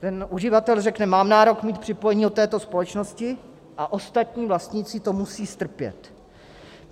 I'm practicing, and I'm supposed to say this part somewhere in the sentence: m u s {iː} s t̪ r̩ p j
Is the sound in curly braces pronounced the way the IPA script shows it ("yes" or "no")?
yes